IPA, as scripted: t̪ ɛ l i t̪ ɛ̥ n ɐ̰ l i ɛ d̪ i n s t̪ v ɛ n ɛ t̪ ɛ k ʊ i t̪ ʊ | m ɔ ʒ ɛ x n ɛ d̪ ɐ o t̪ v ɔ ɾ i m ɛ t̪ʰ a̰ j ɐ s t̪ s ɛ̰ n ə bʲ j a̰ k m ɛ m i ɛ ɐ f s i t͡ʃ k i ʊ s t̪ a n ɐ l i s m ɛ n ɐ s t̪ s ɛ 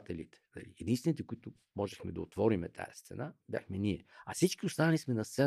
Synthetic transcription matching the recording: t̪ ɛ l i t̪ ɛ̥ n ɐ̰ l i ɛ d̪ i n s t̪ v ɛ n i t̪ ɛ k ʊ i t̪ ʊ | m ɔ ʒ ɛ x m ɛ d̪ ɐ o t̪ v ɔ ɾ i m ɛ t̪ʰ a̰ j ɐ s t̪ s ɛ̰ n a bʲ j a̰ x m ɛ n i ɛ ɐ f s i t͡ʃ k i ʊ s t̪ a n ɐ l i s m ɛ n ɐ s t̪ s ɛ